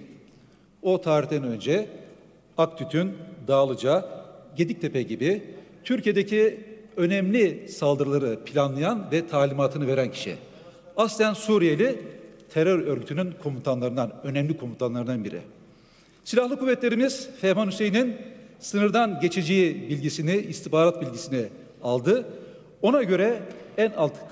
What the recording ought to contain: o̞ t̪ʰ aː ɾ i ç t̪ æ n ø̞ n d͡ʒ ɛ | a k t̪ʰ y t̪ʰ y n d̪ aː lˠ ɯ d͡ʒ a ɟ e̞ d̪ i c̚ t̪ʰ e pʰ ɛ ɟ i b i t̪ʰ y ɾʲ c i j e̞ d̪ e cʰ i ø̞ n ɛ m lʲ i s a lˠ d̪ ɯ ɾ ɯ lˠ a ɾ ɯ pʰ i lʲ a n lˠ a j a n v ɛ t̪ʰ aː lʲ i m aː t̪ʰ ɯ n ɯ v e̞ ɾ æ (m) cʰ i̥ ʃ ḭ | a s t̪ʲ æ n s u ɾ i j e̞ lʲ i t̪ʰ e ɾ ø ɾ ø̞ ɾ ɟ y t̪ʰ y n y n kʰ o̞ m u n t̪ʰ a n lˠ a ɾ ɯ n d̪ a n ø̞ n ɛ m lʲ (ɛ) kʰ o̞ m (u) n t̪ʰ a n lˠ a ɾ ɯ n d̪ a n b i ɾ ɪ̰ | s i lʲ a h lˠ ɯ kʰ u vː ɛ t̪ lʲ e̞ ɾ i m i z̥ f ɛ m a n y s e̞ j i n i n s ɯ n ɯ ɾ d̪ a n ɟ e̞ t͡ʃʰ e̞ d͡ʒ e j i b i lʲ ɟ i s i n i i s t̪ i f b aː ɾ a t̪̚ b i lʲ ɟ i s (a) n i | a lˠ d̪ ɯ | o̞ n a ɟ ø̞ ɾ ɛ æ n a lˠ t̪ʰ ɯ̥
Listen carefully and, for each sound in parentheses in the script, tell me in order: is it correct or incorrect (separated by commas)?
incorrect, incorrect, correct, incorrect